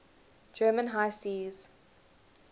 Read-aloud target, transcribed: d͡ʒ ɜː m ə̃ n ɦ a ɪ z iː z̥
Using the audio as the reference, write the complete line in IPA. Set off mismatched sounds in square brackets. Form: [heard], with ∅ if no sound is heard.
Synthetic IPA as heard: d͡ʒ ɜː m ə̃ n ɦ a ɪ [s] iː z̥

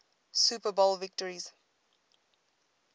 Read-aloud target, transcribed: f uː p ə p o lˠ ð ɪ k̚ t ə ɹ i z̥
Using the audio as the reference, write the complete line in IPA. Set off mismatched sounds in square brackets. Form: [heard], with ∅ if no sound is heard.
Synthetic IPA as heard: [s] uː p ə [b] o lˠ [v] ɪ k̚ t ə ɹ i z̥

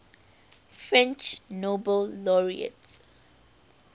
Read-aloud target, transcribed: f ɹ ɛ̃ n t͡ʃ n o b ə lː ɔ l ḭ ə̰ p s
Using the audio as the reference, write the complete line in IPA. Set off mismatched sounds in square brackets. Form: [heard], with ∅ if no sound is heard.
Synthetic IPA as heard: f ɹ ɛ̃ n t͡ʃ n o b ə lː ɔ [ɹ] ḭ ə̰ [t] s

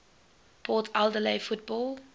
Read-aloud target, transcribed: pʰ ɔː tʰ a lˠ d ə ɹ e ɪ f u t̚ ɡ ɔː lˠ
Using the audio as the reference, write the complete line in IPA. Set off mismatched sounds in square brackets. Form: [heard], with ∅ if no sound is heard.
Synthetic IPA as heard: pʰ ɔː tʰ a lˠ d ə [l] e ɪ f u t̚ [b] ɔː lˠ

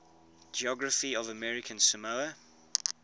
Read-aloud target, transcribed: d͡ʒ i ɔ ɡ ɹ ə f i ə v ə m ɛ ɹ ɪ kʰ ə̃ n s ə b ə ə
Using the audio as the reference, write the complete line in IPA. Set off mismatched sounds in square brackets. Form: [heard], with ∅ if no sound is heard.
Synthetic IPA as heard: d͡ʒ i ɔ ɡ ɹ ə f i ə v ə m ɛ ɹ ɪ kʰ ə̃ n s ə [m] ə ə

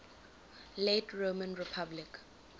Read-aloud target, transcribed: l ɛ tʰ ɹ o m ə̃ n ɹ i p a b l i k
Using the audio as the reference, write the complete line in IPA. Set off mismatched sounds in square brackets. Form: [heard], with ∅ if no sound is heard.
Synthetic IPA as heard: l [e] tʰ ɹ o m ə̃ n ɹ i [pʰ] a b l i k

